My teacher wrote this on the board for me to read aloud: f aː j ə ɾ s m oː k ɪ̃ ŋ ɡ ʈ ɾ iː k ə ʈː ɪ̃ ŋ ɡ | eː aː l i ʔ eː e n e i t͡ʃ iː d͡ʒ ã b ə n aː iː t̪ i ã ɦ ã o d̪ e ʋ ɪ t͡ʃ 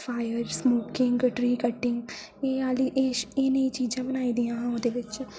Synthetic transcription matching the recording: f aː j ə ɾ s m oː k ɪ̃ ŋ ɡ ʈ ɾ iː k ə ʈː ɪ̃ ŋ ɡ | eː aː l i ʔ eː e n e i t͡ʃ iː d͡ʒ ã b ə n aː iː d̪ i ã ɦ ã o d̪ e ʋ ɪ t͡ʃ